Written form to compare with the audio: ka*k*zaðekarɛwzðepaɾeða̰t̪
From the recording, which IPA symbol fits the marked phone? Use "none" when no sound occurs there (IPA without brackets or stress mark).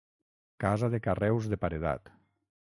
none